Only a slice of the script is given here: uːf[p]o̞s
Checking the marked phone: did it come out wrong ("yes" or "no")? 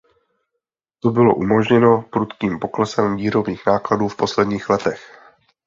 no